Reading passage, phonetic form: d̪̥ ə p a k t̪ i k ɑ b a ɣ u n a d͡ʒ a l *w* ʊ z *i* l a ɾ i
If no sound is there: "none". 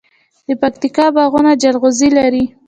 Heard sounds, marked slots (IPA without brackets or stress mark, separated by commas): ɣ, i